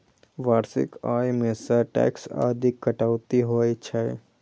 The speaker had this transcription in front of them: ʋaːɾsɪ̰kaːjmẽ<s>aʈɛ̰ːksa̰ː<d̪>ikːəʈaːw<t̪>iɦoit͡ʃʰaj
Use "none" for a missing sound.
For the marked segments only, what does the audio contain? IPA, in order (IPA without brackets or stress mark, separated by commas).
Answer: s, d̪, t̪